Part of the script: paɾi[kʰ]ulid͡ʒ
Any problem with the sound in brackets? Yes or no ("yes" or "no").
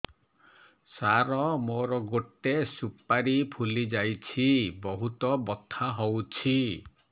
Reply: yes